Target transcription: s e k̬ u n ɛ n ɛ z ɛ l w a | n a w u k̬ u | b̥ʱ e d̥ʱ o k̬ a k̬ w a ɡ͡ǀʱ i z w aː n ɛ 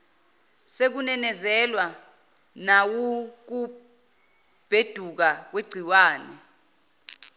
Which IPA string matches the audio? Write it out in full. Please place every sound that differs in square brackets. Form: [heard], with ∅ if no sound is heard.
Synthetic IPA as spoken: s e k̬ u n ɛ n ɛ z ɛ l w a | n a w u k̬ u | b̥ʱ e d̥ʱ [u] k̬ a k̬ w [e] ɡ͡ǀʱ i [∅] w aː n ɛ